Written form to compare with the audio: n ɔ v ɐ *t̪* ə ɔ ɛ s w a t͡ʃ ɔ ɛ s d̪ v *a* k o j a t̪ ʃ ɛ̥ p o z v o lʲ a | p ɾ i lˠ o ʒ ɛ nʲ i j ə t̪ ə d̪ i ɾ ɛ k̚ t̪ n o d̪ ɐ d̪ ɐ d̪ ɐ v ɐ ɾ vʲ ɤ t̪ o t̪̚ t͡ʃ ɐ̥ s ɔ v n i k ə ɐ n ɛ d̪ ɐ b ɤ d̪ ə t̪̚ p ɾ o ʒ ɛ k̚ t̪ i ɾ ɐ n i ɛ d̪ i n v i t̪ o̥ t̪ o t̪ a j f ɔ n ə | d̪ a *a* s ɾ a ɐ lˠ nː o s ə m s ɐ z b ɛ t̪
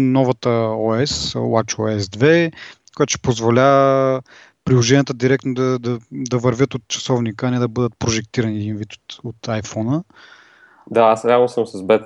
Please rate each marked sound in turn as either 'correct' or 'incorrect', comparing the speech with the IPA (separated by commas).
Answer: correct, incorrect, correct